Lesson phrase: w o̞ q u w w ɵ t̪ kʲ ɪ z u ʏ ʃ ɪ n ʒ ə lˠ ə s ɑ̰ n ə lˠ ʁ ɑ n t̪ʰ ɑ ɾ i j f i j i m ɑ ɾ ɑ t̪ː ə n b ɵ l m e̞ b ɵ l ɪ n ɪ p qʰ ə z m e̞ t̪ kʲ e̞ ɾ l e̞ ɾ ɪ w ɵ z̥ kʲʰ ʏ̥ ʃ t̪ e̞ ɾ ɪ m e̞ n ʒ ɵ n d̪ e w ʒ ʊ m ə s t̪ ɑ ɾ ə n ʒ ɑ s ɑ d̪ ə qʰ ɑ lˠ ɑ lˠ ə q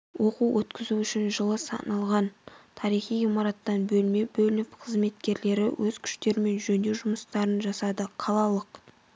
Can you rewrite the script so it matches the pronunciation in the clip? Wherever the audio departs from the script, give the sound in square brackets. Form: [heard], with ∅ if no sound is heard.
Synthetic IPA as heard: w o̞ q u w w ɵ t̪ kʲ ɪ z u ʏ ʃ ɪ n ʒ ə lˠ ə s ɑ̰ n [ɑ] lˠ ʁ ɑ n t̪ʰ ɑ ɾ i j [χ] i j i m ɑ ɾ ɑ t̪ː [ɑ] n b ɵ l m e̞ b ɵ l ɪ n ɪ p qʰ ə z m e̞ t̪ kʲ e̞ ɾ l e̞ ɾ ɪ w ɵ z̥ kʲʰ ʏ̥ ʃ t̪ e̞ ɾ ɪ m e̞ n ʒ ɵ n d̪ e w ʒ ʊ m ə s t̪ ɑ ɾ ə n ʒ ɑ s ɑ d̪ ə qʰ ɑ lˠ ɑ lˠ ə q

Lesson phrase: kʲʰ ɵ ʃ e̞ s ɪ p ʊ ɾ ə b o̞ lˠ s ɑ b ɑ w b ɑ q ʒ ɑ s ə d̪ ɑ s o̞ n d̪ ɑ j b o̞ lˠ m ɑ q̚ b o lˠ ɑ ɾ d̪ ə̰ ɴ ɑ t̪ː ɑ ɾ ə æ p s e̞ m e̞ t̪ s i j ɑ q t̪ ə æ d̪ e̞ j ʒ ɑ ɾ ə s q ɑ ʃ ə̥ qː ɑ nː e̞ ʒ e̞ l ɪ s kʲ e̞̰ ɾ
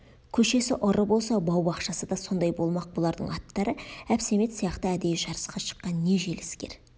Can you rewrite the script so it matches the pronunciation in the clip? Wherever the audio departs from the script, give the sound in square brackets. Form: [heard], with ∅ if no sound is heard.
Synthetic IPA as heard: kʲʰ ɵ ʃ e̞ s ɪ [ʔ] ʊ ɾ ə b o̞ lˠ s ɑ b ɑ w b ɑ q [ʃ] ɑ s ə d̪ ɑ s o̞ n d̪ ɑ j b o̞ lˠ m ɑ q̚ b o lˠ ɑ ɾ d̪ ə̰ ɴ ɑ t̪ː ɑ ɾ ə æ p s e̞ m e̞ t̪ s i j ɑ q t̪ ə æ d̪ e̞ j ʒ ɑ ɾ ə s q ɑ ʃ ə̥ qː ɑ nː e̞ ʒ e̞ l ɪ s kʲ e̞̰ ɾ

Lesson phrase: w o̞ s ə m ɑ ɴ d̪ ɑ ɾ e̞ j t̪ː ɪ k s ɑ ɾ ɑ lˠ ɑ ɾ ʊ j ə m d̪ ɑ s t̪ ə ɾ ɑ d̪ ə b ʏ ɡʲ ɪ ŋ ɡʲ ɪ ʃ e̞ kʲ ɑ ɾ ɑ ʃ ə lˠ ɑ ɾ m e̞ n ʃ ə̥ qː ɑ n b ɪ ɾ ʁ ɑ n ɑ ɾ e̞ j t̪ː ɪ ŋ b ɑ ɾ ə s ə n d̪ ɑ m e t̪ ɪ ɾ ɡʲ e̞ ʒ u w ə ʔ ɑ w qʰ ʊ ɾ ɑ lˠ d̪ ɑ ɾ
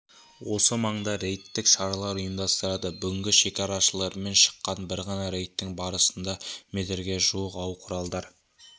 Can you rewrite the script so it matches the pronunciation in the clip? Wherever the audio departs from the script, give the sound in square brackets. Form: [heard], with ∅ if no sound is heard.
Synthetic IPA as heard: w o̞ s ə m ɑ ɴ d̪ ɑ ɾ e̞ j t̪ː ɪ k [ʃ] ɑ ɾ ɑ lˠ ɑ ɾ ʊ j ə m d̪ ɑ s t̪ ə ɾ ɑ d̪ ə b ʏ ɡʲ ɪ ŋ ɡʲ ɪ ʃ e̞ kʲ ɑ ɾ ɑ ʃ ə lˠ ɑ ɾ m e̞ n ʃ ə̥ qː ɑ n b ɪ ɾ ʁ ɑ n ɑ ɾ e̞ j t̪ː ɪ ŋ b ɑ ɾ ə s ə n d̪ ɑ m e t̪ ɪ ɾ ɡʲ e̞ ʒ u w ə [q] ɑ w qʰ ʊ ɾ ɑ lˠ d̪ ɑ ɾ

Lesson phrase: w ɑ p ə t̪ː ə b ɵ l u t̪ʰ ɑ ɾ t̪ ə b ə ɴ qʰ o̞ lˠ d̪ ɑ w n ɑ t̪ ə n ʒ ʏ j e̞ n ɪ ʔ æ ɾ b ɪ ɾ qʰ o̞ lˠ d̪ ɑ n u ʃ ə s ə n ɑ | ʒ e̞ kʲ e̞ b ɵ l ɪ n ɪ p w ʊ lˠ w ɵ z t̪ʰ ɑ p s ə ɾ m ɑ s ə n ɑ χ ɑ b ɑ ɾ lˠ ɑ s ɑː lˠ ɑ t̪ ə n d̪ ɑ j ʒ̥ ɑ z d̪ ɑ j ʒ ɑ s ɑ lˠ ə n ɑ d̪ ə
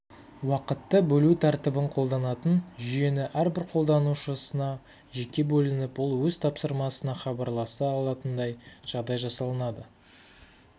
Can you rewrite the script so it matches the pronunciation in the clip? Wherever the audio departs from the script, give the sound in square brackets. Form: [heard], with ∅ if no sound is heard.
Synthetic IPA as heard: w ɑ [q] ə t̪ː ə b ɵ l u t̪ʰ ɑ ɾ t̪ ə b ə ɴ qʰ o̞ lˠ d̪ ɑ [∅] n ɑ t̪ ə n ʒ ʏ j e̞ n ɪ ʔ æ ɾ b ɪ ɾ qʰ o̞ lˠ d̪ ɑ n u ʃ ə s ə n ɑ | ʒ e̞ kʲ e̞ b ɵ l ɪ n ɪ p w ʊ lˠ w ɵ z t̪ʰ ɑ p s ə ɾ m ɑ s ə n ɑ χ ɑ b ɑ ɾ lˠ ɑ s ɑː lˠ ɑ t̪ ə n d̪ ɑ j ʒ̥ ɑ [ʁ] d̪ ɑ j ʒ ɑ s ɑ lˠ ə n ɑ d̪ ə

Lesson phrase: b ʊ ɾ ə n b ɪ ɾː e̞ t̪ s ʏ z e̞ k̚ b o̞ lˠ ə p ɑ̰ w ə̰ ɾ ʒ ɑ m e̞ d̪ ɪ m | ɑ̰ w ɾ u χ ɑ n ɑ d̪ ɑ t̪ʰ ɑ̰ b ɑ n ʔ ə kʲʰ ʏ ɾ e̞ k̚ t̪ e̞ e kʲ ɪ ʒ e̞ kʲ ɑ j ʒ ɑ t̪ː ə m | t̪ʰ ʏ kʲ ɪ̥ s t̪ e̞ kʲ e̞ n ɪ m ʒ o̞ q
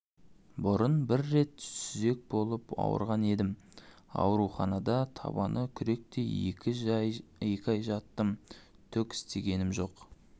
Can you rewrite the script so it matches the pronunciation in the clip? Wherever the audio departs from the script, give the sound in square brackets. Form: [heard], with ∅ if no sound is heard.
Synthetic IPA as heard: b ʊ ɾ ə n b ɪ ɾː e̞ t̪ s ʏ z e̞ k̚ b o̞ lˠ ə p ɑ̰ w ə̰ ɾ [ʁ] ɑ [n] e̞ d̪ ɪ m | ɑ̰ w ɾ u χ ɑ n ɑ d̪ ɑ t̪ʰ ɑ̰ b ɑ n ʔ ə kʲʰ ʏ ɾ e̞ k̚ t̪ e̞ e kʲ ɪ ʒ e̞ kʲ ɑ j ʒ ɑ t̪ː ə m | t̪ʰ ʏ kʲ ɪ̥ s t̪ e̞ [ɡʲ] e̞ n ɪ m ʒ o̞ q

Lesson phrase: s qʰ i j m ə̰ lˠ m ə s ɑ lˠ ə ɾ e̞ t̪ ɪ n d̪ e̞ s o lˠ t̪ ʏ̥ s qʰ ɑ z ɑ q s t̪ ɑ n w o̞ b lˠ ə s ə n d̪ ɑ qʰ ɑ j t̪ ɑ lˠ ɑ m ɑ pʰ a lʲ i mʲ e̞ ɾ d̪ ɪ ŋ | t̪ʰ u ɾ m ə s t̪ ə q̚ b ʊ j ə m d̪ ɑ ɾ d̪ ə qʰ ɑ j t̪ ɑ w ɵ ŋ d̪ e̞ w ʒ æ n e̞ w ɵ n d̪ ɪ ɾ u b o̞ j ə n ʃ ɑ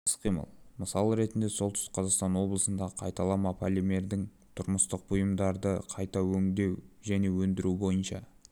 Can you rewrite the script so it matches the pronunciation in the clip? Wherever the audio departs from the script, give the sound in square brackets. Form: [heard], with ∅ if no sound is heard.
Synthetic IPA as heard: s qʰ i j m ə̰ lˠ m ə s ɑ lˠ ə ɾ e̞ t̪ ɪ n d̪ e̞ s o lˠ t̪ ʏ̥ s qʰ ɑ z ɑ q s t̪ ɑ n w o̞ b lˠ ə s ə n d̪ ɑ qʰ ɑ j t̪ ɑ lˠ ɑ m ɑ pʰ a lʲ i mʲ e̞ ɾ d̪ ɪ ŋ | t̪ʰ [ʊ] ɾ m ə s t̪ ə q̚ b ʊ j ə m d̪ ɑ ɾ d̪ ə qʰ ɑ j t̪ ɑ w ɵ ŋ d̪ e̞ w ʒ æ n e̞ w ɵ n d̪ ɪ ɾ u b o̞ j ə n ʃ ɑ

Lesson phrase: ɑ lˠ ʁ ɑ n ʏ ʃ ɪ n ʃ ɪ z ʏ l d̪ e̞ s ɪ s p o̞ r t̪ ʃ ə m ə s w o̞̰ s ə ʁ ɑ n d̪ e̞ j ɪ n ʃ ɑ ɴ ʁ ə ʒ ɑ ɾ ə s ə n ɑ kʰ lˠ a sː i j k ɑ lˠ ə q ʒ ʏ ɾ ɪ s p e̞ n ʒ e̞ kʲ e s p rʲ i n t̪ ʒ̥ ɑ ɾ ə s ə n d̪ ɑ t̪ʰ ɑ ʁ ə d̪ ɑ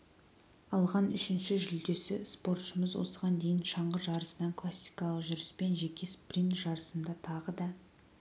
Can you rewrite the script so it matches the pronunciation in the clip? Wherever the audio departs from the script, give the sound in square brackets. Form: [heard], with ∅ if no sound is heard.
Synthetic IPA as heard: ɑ lˠ ʁ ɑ n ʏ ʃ ɪ n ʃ ɪ [ʒ] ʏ l d̪ e̞ s ɪ s p o̞ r t̪ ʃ ə m ə [z] w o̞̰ s ə ʁ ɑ n d̪ e̞ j ɪ n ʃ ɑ ɴ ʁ ə ʒ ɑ ɾ ə s ə n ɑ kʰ lˠ a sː i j k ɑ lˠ ə q ʒ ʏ ɾ ɪ s p e̞ n ʒ e̞ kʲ e s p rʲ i n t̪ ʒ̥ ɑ ɾ ə s ə n d̪ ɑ t̪ʰ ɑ ʁ ə d̪ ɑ

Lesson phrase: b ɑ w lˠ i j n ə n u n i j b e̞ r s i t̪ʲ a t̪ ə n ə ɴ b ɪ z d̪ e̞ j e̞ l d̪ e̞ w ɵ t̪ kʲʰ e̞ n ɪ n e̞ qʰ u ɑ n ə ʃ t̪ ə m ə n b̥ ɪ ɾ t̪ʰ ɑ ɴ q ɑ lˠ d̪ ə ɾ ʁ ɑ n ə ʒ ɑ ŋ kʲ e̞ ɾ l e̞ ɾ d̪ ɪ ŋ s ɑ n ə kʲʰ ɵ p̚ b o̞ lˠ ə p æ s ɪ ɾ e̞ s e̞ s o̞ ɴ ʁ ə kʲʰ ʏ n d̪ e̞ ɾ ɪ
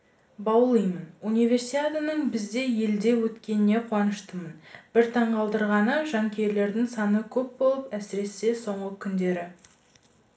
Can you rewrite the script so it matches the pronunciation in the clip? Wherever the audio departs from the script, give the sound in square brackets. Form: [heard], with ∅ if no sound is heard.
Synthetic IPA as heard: b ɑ w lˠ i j [m] ə n u n i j [v] e̞ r s i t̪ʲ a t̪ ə n ə ɴ b ɪ z d̪ e̞ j e̞ l d̪ e̞ w ɵ t̪ [kʲ] e̞ n ɪ n e̞ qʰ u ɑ n ə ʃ t̪ ə m ə n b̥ ɪ ɾ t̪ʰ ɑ ɴ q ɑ lˠ d̪ ə ɾ ʁ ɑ n ə ʒ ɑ ŋ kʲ e̞ ɾ l e̞ ɾ d̪ ɪ ŋ s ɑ n ə kʲʰ ɵ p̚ b o̞ lˠ ə p æ s ɪ ɾ e̞ s e̞ s o̞ ɴ ʁ ə kʲʰ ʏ n d̪ e̞ ɾ ɪ

